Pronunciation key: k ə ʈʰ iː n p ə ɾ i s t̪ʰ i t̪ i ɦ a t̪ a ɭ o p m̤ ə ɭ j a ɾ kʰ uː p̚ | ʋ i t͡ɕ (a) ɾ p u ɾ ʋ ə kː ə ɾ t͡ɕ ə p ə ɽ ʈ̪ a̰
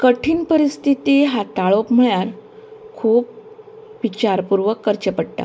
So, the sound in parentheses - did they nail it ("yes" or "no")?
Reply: yes